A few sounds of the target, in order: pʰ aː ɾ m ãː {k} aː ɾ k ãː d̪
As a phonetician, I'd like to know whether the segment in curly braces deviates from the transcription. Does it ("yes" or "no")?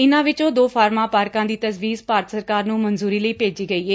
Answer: yes